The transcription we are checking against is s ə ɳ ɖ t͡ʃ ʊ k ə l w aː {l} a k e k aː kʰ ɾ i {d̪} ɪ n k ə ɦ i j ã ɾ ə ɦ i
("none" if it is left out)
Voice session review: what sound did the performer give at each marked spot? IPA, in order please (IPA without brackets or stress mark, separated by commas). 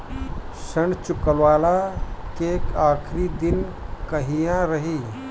l, d̪